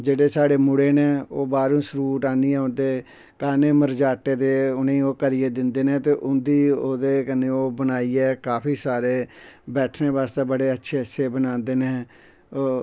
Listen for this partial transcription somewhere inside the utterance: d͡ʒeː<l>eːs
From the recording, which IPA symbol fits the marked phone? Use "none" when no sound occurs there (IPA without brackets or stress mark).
ɽ